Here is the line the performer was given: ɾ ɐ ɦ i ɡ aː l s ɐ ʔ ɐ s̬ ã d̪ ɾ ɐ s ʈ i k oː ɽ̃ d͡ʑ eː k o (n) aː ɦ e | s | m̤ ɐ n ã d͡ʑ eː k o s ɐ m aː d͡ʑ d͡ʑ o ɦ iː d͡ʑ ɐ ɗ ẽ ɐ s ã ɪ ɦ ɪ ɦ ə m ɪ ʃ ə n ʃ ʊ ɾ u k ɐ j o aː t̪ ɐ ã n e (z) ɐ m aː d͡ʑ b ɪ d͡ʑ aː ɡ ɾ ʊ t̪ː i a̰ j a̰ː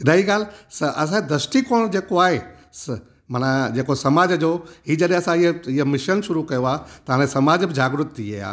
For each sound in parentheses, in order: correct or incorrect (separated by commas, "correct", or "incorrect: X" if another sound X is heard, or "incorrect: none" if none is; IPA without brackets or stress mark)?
incorrect: none, incorrect: s